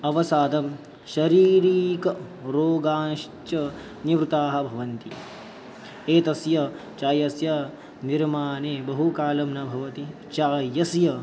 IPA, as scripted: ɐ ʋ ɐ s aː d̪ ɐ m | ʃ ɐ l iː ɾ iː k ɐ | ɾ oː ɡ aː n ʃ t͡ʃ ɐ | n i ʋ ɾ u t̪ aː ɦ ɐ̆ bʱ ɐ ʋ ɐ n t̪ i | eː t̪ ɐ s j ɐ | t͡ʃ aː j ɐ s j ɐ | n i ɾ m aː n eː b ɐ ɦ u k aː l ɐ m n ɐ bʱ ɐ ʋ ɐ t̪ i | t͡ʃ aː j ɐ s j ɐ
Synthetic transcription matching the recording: ɐ ʋ ɐ s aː d̪ ɐ m | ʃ ɐ ɾ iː ɾ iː k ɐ | ɾ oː ɡ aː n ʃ t͡ʃ ɐ | n i ʋ ɾ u t̪ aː ɦ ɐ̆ bʱ ɐ ʋ ɐ n t̪ i | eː t̪ ɐ s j ɐ | t͡ʃ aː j ɐ s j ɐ | n i ɾ m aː n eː b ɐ ɦ u k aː l ɐ m n ɐ bʱ ɐ ʋ ɐ t̪ i | t͡ʃ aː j ɐ s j ɐ